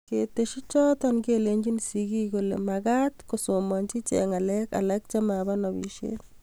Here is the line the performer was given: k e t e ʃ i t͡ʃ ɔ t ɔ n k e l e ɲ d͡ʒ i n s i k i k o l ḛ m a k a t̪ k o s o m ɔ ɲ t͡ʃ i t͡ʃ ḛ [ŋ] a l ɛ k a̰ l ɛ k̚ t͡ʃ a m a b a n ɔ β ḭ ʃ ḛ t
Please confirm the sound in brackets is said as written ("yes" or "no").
yes